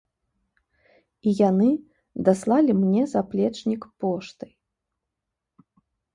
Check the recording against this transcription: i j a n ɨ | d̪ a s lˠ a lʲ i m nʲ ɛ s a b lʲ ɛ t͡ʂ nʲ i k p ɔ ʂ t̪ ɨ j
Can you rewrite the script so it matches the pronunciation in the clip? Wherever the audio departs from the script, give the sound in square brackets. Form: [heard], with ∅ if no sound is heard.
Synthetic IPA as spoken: i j a n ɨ | d̪ a s lˠ a lʲ i m nʲ ɛ [z] a [p] lʲ ɛ t͡ʂ nʲ i k p ɔ ʂ t̪ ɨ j